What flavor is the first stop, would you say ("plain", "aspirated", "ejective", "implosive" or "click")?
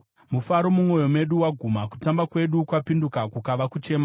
implosive